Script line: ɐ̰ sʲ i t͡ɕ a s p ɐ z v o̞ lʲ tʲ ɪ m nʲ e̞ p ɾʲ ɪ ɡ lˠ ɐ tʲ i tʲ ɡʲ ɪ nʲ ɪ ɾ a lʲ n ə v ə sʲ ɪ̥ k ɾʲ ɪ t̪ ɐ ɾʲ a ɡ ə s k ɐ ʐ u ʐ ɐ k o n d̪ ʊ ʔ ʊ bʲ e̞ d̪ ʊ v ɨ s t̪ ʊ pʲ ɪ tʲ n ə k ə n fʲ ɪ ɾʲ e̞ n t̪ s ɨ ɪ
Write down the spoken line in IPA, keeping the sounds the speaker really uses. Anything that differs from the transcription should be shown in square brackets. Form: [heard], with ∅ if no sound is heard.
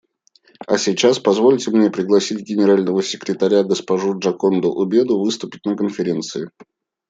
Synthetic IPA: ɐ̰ sʲ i t͡ɕ a s p ɐ z v o̞ lʲ tʲ ɪ m nʲ e̞ p ɾʲ ɪ ɡ lˠ ɐ [sʲ] i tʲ ɡʲ ɪ nʲ ɪ ɾ a lʲ n ə v ə sʲ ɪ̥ k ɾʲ ɪ t̪ ɐ ɾʲ a ɡ ə s [p] ɐ ʐ u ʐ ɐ k o n d̪ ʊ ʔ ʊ bʲ e̞ d̪ ʊ v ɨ s t̪ ʊ pʲ ɪ tʲ n ə k ə n fʲ ɪ ɾʲ e̞ n t̪ s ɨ ɪ